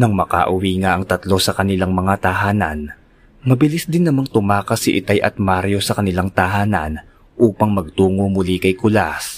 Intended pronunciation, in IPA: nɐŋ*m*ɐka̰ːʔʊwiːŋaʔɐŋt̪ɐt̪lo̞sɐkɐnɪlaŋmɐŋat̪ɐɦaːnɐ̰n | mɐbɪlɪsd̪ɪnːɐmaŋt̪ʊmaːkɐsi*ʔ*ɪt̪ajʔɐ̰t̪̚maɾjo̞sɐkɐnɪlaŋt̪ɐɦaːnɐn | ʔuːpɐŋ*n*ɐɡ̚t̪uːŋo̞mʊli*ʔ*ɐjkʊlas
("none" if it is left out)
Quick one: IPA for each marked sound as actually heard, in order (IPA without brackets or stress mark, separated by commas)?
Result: m, ʔ, m, k